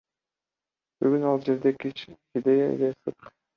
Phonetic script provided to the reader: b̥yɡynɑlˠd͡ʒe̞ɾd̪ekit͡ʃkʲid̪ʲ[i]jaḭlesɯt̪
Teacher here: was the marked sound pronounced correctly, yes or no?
no